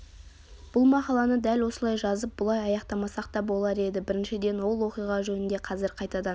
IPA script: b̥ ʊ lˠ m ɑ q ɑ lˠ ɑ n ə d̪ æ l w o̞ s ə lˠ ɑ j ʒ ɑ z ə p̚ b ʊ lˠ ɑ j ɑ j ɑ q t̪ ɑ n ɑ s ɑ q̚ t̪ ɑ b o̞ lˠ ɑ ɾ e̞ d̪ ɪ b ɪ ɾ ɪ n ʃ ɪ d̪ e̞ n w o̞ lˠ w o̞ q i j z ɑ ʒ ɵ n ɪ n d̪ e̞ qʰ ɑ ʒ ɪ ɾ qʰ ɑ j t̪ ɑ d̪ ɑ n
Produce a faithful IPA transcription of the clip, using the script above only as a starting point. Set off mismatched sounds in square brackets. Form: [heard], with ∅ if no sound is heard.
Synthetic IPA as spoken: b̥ ʊ lˠ m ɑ q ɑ lˠ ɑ n ə d̪ æ l w o̞ s ə lˠ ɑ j ʒ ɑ z ə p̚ b ʊ lˠ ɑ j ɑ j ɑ q t̪ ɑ [m] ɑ s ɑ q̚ t̪ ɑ b o̞ lˠ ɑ ɾ e̞ d̪ ɪ b ɪ ɾ ɪ n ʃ ɪ d̪ e̞ n w o̞ lˠ w o̞ q i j [ʁ] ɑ ʒ ɵ n ɪ n d̪ e̞ qʰ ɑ [z] ɪ ɾ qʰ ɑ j t̪ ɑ d̪ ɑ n